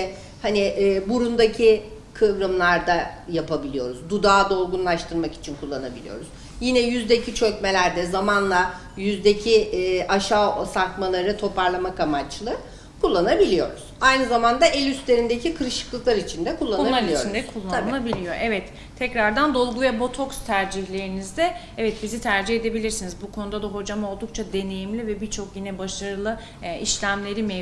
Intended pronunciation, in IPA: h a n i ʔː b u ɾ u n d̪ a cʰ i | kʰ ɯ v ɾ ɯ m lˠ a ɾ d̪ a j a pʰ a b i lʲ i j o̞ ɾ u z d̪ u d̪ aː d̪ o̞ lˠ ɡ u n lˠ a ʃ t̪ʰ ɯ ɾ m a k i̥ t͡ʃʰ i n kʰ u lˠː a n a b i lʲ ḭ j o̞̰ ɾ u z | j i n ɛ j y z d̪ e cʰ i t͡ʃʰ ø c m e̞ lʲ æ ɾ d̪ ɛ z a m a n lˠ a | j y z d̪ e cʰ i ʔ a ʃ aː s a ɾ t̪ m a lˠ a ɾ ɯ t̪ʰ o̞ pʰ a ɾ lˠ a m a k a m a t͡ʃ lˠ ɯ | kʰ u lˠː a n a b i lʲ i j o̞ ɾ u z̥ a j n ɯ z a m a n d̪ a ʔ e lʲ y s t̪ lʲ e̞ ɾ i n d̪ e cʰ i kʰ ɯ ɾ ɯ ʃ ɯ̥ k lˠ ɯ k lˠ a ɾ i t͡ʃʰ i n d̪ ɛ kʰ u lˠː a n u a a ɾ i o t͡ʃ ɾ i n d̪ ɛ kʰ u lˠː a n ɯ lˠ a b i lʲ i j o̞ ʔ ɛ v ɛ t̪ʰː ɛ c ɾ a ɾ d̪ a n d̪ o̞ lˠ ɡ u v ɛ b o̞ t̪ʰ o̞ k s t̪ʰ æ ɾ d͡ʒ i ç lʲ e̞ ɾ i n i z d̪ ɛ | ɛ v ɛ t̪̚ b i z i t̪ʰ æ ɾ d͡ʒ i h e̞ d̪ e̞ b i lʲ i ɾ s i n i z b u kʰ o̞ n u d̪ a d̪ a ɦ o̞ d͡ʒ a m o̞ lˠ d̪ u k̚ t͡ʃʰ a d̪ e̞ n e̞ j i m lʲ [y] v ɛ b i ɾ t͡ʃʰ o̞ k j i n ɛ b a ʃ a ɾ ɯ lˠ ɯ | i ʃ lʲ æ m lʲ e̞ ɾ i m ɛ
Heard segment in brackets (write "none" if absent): i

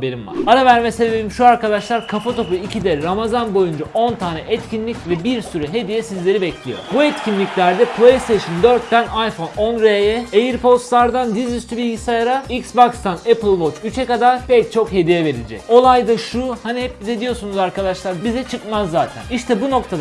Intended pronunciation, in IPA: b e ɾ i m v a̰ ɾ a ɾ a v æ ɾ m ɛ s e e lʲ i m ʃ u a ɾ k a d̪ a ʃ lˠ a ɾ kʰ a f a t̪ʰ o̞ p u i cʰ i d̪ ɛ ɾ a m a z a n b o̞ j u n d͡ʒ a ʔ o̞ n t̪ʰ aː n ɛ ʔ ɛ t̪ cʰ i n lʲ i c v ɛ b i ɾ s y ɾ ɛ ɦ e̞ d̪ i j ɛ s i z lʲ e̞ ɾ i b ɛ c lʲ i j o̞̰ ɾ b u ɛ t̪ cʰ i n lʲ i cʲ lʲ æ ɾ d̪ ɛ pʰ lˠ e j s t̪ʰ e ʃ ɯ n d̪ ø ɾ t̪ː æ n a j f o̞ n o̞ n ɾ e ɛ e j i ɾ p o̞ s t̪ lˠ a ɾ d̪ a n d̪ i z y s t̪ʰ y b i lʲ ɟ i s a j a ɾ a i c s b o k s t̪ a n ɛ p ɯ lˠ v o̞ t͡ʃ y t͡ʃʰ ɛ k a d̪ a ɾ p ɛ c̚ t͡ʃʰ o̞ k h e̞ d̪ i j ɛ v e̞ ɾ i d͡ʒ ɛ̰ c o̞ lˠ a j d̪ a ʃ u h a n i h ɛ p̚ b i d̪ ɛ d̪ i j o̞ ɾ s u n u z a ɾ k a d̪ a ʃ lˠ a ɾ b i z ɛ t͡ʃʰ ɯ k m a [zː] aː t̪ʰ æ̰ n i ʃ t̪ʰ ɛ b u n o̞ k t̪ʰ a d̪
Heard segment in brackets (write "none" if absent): zː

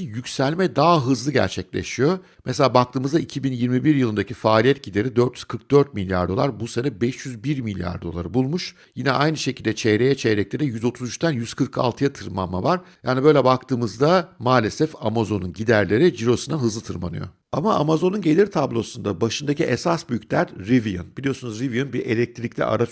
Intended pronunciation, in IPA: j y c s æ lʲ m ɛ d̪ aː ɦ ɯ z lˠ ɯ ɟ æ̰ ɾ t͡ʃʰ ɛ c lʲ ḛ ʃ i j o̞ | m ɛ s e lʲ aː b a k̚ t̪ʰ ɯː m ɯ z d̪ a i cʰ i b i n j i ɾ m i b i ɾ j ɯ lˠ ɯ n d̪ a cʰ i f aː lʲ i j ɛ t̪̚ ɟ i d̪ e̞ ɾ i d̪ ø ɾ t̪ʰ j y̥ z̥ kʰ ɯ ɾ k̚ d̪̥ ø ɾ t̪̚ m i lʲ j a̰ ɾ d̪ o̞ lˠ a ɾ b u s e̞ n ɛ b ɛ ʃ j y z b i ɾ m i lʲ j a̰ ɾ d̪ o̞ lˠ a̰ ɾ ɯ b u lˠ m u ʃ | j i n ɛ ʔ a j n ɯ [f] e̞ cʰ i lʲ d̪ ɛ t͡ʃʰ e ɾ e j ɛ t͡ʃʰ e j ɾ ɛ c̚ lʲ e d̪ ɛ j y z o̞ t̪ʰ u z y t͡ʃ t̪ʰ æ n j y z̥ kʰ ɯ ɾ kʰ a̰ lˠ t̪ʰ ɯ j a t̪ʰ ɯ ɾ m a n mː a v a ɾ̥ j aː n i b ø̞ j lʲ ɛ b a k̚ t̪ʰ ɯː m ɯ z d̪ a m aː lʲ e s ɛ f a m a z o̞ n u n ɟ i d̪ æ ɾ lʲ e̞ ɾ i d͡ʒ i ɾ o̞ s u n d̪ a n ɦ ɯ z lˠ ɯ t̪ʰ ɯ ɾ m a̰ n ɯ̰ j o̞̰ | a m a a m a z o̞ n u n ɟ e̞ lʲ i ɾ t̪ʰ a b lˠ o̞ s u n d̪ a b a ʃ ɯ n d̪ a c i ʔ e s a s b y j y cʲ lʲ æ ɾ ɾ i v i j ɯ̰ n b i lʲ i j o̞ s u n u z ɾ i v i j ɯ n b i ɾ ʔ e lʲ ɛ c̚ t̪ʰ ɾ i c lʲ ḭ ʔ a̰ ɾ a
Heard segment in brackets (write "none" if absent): ʃ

